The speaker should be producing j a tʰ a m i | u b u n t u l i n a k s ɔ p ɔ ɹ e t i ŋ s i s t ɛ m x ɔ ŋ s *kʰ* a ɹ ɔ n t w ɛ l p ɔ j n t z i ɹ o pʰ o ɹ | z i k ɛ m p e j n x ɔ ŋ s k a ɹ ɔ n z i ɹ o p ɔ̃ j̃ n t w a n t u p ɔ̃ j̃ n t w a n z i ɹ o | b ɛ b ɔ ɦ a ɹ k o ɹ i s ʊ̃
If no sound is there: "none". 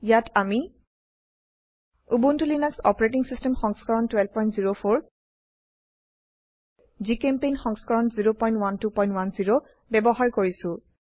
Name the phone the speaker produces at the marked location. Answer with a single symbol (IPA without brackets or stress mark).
k